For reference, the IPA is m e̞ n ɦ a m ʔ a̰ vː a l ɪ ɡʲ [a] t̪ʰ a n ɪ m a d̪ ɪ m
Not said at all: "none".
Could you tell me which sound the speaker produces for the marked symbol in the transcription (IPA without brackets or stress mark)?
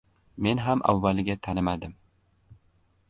a